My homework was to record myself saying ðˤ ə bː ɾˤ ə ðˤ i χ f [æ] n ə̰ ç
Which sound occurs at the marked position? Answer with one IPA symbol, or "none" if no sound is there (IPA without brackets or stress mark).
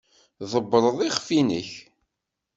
i